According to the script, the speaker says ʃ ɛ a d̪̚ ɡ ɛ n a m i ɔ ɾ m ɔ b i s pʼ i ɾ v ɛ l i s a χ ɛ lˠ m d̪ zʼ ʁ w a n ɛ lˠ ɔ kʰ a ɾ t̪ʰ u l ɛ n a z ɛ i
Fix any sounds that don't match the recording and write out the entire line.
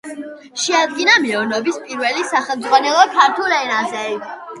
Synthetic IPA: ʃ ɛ a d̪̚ ɡ i n a m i ɔ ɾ n ɔ b i s pʼ i ɾ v ɛ l i s a χ ɛ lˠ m d̪ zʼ ʁ w a n ɛ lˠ ɔ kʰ a ɾ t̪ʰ u l ɛ n a z ɛ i